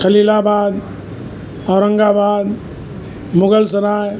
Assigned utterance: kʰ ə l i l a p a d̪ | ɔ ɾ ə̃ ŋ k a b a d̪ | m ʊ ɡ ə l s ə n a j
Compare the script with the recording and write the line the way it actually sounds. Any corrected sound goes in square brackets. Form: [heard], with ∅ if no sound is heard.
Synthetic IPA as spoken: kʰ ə l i l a [b] a d̪ | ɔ ɾ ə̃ ŋ [ɡ] a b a d̪ | m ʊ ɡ ə l s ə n a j